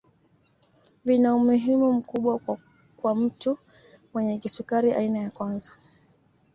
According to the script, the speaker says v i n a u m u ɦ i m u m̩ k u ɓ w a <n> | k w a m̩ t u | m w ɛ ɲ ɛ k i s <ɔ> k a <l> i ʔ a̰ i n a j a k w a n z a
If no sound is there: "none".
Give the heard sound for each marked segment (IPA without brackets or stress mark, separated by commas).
none, u, ɾ